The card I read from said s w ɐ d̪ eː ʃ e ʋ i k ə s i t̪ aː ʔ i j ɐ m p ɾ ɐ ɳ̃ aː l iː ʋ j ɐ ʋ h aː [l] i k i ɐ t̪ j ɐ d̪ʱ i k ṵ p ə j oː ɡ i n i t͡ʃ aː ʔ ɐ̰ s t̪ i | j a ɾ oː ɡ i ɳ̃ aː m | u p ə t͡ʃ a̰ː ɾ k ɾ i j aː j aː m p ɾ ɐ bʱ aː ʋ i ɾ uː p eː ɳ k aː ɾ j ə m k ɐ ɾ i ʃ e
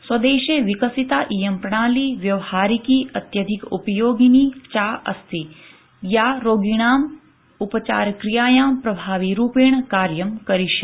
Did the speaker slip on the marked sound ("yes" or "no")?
yes